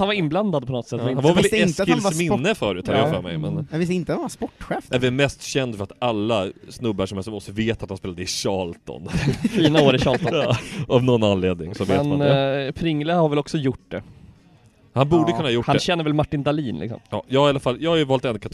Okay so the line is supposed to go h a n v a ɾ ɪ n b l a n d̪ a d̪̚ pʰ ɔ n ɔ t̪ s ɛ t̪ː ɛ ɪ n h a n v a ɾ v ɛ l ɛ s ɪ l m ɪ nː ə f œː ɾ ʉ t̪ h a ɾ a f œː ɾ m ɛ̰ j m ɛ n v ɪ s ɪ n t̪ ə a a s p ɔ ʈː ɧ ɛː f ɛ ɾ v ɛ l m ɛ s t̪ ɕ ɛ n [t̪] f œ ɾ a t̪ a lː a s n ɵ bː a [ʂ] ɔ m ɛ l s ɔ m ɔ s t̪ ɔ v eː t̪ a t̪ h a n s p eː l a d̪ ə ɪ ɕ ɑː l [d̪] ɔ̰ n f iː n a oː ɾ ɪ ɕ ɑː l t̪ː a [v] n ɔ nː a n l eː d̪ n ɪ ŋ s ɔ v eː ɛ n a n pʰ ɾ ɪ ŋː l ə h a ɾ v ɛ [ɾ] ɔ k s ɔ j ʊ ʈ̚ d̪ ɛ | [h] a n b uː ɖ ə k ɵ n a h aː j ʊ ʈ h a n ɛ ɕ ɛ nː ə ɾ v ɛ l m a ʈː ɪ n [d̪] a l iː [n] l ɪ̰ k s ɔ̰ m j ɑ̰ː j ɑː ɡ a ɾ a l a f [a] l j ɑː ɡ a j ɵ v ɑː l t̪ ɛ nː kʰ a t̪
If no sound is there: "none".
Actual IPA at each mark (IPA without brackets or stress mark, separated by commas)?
d̪, ʂ, t̪, v, l, h, d̪, n, a